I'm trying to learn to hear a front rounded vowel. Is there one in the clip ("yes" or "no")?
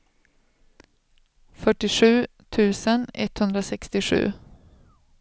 yes